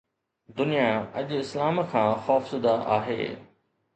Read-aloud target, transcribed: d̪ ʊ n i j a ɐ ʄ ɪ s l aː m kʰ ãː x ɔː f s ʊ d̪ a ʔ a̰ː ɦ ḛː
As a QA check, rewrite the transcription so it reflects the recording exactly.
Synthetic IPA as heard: d̪ ʊ n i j a ɐ ʄ ɪ s l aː m kʰ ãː x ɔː f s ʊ d̪ a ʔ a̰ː ɦ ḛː

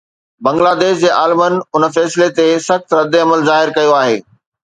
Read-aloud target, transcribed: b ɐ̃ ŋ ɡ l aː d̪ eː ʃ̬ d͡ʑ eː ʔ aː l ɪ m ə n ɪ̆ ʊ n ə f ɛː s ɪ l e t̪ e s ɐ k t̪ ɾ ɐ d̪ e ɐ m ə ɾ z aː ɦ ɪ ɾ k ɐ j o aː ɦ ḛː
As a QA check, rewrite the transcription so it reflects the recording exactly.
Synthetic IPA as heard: b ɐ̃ ŋ ɡ l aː d̪ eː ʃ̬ d͡ʑ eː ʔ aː l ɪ m ə n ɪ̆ ʊ n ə f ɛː s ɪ l e t̪ e s ɐ x t̪ ɾ ɐ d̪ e ɐ m ə l z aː ɦ ɪ ɾ k ɐ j o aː ɦ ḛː

